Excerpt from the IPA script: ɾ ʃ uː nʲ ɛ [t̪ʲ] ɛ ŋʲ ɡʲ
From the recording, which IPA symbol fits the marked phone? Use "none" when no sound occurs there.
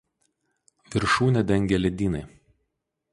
d̪ʲ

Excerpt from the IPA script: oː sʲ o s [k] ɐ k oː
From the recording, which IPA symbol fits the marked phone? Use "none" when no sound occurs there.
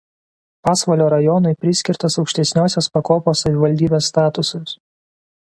p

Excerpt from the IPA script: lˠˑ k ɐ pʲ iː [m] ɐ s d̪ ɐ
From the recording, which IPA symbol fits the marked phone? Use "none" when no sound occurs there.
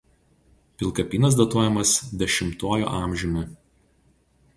n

